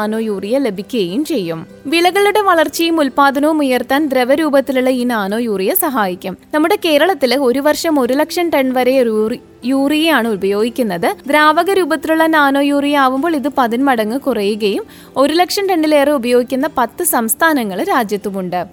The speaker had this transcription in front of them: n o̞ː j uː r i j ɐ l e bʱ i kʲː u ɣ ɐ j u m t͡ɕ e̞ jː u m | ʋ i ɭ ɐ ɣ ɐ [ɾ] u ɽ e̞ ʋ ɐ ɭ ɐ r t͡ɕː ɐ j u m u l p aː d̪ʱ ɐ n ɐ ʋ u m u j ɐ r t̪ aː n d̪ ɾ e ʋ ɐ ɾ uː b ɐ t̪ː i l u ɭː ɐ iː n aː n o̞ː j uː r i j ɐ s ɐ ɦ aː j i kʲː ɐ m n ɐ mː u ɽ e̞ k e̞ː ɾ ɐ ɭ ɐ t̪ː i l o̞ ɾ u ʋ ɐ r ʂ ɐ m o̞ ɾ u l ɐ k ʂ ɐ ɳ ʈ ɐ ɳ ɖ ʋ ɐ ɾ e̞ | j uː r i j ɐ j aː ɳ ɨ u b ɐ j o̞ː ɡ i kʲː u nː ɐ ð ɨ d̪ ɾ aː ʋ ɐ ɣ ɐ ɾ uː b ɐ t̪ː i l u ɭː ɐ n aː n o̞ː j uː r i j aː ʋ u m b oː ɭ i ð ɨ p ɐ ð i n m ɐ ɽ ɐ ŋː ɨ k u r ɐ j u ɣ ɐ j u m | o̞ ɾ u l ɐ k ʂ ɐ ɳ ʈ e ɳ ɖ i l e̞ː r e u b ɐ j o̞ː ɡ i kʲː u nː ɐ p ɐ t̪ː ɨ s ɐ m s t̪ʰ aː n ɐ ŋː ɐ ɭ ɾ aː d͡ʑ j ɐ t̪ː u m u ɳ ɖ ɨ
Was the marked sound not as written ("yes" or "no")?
yes